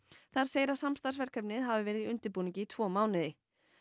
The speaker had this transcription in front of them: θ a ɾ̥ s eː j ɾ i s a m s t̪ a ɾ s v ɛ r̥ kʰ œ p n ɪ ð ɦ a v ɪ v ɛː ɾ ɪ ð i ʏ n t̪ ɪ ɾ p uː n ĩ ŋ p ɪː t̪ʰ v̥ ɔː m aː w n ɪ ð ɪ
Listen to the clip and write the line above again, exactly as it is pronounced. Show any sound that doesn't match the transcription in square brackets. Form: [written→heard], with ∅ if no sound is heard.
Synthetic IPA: θ a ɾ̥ s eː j ɾ [i→a] s a m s t̪ a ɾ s v ɛ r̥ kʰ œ p n ɪ ð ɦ a v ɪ v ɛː ɾ ɪ ð i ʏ n t̪ ɪ ɾ p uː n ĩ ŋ [p→c] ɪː t̪ʰ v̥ ɔː m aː w n ɪ ð ɪ